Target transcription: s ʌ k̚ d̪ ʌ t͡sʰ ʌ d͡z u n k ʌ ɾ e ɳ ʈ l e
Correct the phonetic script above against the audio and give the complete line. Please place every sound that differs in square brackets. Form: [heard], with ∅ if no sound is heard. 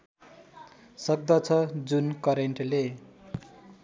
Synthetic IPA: s ʌ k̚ d̪ ʌ t͡sʰ ʌ d͡z u n k ʌ ɾ e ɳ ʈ l e